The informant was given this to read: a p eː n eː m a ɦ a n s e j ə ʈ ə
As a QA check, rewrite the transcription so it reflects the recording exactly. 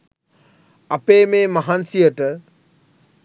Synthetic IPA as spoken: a p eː m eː m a ɦ a n s i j ə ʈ ə

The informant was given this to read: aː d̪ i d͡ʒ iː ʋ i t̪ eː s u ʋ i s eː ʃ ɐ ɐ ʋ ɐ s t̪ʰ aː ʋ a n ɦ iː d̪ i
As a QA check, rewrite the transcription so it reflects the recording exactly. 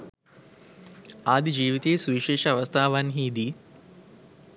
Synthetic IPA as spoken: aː d̪ i d͡ʒ iː ʋ i t̪ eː s u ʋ i ʃ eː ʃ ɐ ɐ ʋ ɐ s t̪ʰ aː ʋ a n ɦ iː d̪ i

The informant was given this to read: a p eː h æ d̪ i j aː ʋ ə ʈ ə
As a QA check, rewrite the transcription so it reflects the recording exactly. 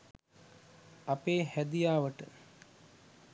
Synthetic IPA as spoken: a p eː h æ d̪ i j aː ʋ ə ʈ ə

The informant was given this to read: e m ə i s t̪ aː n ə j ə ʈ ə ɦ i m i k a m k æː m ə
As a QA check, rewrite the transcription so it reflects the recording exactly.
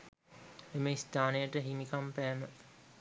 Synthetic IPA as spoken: e m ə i s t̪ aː n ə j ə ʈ ə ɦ i m i k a m p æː m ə

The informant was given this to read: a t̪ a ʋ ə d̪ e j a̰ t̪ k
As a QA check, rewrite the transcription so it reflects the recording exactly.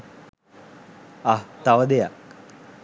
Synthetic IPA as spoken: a t̪ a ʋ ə d̪ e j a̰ k

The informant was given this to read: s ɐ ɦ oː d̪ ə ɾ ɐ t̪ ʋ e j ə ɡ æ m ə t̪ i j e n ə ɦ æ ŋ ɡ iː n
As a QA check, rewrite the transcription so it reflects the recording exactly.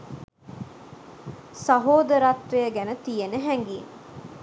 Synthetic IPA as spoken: s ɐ ɦ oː d̪ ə ɾ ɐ t̪ ʋ e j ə ɡ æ n ə t̪ i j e n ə ɦ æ ŋ ɡ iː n

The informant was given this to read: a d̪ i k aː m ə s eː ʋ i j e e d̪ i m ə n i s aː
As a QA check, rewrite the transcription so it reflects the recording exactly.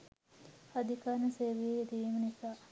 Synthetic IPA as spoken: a d̪ i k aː n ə s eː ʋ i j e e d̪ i m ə n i s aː

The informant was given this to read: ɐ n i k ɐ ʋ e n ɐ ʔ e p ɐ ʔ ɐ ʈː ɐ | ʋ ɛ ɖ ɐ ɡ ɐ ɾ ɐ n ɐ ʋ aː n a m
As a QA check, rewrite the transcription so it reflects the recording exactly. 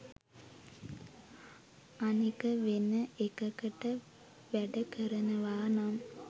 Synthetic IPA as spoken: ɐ n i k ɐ ʋ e n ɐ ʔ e k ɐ k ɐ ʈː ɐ | ʋ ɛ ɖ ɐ k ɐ ɾ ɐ n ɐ ʋ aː n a m

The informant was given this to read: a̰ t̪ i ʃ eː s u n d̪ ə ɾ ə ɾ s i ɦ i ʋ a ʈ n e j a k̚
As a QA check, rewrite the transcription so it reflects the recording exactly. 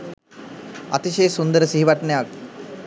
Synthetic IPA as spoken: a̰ t̪ i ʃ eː s u n d̪ ə ɾ ə s i ɦ i ʋ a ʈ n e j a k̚

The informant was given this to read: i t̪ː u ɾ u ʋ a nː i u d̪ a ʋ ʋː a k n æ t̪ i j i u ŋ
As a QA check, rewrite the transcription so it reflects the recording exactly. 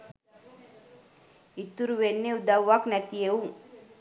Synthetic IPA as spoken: i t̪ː u ɾ u ʋ e nː e u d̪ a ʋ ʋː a k n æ t̪ i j e u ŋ

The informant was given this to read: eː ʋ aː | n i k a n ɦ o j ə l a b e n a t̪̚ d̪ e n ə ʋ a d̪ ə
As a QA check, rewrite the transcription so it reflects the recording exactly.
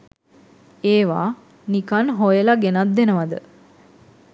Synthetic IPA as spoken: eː ʋ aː | n i k a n ɦ o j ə l a ɡ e n a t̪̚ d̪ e n ə ʋ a d̪ ə

